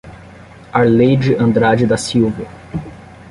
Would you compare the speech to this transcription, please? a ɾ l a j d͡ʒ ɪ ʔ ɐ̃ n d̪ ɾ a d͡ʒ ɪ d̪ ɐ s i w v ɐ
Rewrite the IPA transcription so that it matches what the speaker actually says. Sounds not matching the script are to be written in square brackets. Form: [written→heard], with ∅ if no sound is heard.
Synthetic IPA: a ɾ l [a→e] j d͡ʒ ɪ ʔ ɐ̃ n d̪ ɾ a d͡ʒ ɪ d̪ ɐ s i w v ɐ